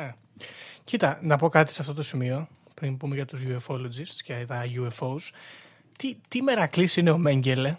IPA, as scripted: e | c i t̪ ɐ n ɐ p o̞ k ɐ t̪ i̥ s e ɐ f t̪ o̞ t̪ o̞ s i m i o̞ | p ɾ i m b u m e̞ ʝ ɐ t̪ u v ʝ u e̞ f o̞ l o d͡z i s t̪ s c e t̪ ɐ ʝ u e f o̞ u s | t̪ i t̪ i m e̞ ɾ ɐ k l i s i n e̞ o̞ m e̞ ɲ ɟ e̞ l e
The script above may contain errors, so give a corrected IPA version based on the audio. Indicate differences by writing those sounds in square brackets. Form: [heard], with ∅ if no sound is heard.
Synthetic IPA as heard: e | c i t̪ ɐ n ɐ p o̞ k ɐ t̪ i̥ s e ɐ f t̪ o̞ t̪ o̞ s i m i o̞ | p ɾ i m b u m e̞ ʝ ɐ t̪ u [z] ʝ u e̞ f o̞ l o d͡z i s t̪ s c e t̪ ɐ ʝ u e f o̞ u s | t̪ i t̪ i m e̞ ɾ ɐ k l i s i n e̞ o̞ m e̞ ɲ ɟ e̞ l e